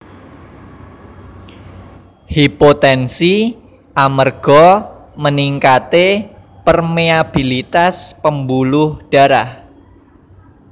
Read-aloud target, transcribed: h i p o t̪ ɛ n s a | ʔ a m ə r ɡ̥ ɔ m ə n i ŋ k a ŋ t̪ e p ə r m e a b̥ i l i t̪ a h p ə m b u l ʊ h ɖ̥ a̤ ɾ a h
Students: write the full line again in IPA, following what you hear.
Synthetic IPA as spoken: h i p o t̪ ɛ n s i | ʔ a m ə r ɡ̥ ɔ m ə n i ŋ k a t̪ e p ə r m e a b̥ i l i t̪ a s p ə m b u l ʊ h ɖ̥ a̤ ɾ a h